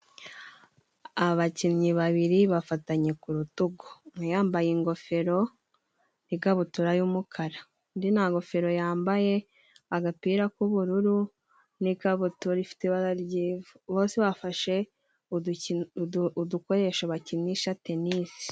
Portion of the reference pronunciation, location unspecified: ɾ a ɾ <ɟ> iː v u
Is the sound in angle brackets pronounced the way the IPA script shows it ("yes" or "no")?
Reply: yes